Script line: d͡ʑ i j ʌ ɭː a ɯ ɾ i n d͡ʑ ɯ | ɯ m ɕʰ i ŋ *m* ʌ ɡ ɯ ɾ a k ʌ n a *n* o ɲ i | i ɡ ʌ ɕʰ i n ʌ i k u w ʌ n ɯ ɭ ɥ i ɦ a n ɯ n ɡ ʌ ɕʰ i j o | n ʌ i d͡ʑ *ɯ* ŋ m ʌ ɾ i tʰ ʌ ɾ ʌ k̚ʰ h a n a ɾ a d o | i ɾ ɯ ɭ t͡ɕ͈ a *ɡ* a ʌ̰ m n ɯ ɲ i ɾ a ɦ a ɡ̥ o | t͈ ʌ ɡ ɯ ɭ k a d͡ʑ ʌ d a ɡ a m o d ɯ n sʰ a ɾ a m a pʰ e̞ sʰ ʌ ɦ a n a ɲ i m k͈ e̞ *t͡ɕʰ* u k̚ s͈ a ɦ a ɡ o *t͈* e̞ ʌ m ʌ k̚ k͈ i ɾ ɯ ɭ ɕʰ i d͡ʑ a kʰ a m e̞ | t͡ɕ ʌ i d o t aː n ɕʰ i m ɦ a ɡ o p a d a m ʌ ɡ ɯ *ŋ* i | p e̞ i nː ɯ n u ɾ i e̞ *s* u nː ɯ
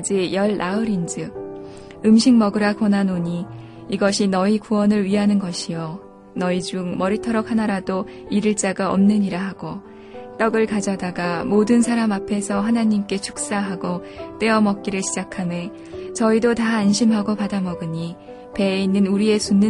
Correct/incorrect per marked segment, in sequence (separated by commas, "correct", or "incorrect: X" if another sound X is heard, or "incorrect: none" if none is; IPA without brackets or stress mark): correct, correct, incorrect: u, correct, correct, correct, incorrect: ɲ, correct